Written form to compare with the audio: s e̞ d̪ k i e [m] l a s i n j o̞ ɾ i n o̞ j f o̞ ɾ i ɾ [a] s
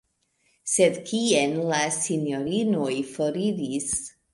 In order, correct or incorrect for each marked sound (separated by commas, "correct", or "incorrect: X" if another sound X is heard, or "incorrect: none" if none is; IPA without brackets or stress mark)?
incorrect: n, incorrect: i